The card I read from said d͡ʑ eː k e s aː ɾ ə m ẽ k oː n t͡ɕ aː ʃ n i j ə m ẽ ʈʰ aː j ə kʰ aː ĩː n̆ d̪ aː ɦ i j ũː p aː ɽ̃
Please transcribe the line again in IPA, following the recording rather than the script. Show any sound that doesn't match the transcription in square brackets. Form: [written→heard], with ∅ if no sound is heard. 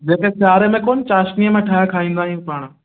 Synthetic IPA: d͡ʑ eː k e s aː ɾ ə m ẽ k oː n t͡ɕ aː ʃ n i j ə m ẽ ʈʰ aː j [ə→a] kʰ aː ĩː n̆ d̪ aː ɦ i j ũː p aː ɽ̃